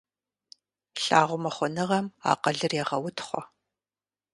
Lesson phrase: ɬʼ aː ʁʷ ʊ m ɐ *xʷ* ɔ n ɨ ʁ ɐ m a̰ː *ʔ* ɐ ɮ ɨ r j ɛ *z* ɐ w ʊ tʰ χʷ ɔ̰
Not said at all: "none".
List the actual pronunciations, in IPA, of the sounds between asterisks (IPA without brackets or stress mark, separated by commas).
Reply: χʷ, q, ʁ